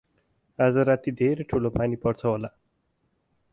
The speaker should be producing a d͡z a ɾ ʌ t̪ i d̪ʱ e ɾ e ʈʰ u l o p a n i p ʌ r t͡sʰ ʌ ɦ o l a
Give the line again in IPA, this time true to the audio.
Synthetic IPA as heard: a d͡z ʌ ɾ a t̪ i d̪ʱ e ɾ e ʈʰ u l o p a n i p ʌ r t͡sʰ ʌ ɦ o l a